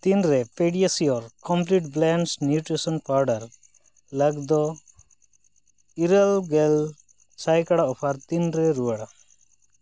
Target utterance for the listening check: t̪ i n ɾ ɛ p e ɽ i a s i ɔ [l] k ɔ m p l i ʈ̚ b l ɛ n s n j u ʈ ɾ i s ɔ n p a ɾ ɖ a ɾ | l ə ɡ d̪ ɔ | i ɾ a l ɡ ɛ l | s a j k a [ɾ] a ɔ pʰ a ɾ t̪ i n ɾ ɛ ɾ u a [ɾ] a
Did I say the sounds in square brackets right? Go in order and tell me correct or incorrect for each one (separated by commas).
incorrect, incorrect, incorrect